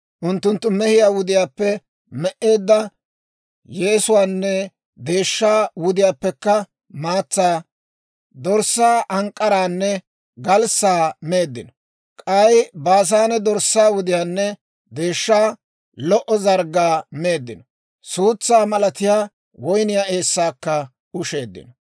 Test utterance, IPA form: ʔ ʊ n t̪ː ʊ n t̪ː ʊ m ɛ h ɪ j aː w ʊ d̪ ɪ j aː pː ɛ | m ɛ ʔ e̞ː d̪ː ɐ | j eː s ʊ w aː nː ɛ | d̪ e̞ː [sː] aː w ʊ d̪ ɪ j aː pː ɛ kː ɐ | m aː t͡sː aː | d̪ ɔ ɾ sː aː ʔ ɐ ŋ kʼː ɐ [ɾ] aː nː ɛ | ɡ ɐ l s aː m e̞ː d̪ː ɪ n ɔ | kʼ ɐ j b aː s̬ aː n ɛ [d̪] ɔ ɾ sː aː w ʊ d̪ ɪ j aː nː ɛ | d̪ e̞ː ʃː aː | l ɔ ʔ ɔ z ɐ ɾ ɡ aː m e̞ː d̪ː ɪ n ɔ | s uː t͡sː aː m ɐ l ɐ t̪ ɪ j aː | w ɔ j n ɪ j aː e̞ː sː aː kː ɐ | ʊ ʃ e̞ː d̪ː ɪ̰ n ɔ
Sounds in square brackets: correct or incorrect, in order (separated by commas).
incorrect, correct, correct